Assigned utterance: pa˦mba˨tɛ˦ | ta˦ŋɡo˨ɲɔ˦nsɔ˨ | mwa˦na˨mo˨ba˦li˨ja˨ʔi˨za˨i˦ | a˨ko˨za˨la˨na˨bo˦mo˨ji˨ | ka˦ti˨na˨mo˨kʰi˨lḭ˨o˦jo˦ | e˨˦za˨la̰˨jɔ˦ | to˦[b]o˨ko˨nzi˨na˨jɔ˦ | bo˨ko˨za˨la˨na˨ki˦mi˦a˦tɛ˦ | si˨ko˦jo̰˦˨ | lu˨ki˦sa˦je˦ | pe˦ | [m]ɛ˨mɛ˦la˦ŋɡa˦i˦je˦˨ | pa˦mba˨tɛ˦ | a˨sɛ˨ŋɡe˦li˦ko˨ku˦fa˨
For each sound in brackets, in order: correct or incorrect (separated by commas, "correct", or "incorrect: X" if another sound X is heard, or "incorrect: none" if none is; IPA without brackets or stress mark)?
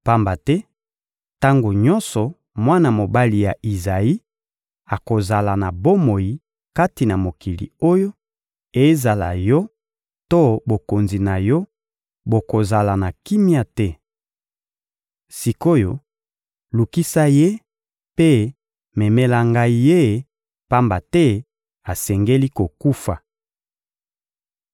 correct, correct